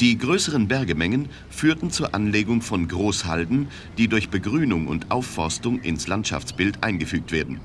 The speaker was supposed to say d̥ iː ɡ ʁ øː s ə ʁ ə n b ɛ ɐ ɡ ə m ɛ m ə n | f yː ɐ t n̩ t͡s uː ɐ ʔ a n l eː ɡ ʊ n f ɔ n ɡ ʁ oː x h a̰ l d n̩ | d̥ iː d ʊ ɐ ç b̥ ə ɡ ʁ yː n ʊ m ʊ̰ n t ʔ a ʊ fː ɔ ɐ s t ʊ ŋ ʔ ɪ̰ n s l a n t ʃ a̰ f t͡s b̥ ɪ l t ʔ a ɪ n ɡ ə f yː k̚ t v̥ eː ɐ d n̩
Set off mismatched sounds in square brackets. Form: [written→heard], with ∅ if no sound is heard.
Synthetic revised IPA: d̥ iː ɡ ʁ øː s ə ʁ ə n b ɛ ɐ ɡ ə m ɛ [m→ŋ] ə n | f yː ɐ t n̩ t͡s uː ɐ ʔ a n l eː ɡ ʊ [n→ŋ] f ɔ n ɡ ʁ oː [x→s] h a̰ l d n̩ | d̥ iː d ʊ ɐ ç b̥ ə ɡ ʁ yː n ʊ [m→ŋ] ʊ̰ n t ʔ a ʊ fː ɔ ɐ s t ʊ ŋ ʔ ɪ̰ n s l a n t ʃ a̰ f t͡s b̥ ɪ l t ʔ a ɪ n ɡ ə f yː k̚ t v̥ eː ɐ d n̩